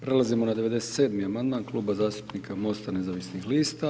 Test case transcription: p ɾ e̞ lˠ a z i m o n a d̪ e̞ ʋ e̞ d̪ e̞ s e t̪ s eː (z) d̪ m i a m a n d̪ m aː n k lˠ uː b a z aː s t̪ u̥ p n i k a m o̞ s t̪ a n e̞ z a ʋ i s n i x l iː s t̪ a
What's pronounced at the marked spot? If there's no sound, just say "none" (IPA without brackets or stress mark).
none